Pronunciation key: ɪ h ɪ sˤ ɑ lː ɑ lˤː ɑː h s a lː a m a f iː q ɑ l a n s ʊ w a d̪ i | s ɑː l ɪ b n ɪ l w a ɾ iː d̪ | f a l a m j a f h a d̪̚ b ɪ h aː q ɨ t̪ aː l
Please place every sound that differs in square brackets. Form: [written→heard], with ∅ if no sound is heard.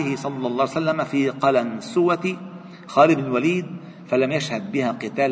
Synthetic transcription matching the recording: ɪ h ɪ sˤ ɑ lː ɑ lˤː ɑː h s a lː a m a f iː q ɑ l a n s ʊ w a [d̪→t̪] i | [s→x] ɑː l ɪ b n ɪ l w a [ɾ→l] iː d̪ | f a l a m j a [f→ʃ] h a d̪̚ b ɪ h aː q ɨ t̪ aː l